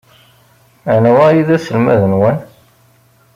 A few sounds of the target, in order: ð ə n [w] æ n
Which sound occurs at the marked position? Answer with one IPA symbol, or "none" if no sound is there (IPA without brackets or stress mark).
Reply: w